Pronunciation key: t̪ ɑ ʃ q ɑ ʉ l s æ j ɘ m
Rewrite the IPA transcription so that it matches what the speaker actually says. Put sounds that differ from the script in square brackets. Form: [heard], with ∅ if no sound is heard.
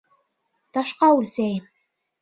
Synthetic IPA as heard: t̪ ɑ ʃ q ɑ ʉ l s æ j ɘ m